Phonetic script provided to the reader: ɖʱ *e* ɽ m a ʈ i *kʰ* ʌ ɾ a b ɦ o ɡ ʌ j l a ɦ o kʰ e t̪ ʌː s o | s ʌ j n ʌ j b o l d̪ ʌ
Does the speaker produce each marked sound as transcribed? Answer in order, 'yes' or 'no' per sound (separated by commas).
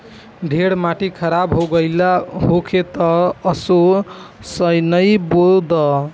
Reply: yes, yes